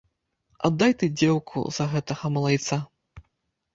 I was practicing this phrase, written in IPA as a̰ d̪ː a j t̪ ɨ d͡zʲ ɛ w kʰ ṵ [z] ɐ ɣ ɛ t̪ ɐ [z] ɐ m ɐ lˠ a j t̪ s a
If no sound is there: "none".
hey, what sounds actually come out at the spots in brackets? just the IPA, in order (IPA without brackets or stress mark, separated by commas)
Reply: z, ɣ